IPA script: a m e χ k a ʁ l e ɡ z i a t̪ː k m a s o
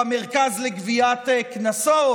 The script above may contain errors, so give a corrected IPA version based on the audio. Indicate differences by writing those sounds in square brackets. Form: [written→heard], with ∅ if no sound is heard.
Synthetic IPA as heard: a m e [χ→ʁ] k a [ʁ→z] l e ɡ [z→v] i a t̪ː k [m→n] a s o